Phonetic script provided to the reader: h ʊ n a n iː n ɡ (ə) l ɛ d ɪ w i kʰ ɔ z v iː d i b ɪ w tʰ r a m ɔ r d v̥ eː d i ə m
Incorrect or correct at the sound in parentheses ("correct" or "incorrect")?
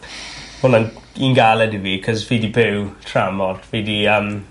incorrect